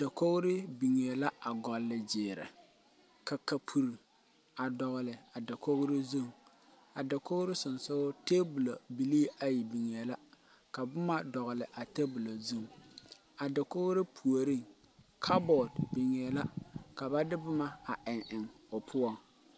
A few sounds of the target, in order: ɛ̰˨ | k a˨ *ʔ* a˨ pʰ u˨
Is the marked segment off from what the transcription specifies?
yes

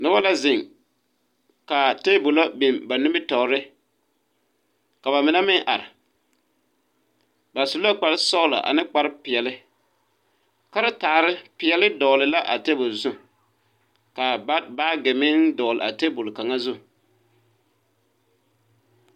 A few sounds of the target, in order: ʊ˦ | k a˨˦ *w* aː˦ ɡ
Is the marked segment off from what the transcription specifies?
yes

